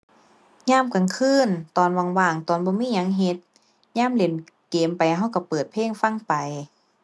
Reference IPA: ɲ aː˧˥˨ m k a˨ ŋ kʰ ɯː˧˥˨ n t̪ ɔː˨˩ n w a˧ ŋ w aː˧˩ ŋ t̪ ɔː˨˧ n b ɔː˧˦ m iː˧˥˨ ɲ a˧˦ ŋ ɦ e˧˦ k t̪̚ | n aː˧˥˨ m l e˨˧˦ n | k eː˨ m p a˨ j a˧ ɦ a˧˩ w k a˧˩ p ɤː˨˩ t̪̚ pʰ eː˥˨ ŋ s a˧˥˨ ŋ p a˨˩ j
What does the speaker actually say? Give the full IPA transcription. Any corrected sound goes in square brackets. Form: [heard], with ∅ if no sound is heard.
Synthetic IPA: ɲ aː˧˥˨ m k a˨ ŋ kʰ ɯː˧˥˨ n t̪ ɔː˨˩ n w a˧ ŋ w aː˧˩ ŋ t̪ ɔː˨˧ n b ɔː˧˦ m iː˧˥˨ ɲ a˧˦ ŋ ɦ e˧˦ [∅] t̪̚ | [ɲ] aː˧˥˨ m l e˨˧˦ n | k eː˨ m p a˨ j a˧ ɦ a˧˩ w k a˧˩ p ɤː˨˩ t̪̚ pʰ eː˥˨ ŋ [f] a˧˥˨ ŋ p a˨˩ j